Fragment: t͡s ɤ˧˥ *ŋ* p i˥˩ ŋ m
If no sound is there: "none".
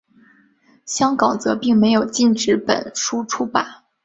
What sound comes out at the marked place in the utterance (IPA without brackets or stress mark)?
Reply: none